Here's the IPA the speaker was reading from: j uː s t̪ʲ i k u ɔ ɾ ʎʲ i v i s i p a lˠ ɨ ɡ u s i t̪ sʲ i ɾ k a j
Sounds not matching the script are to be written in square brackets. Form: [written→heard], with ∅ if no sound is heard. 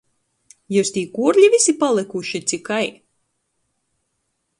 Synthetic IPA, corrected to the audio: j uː s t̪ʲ [i→iː] k u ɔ ɾ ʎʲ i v i s i p a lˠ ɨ [ɡ→k] u [s→ʃ] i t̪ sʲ i [ɾ→∅] k a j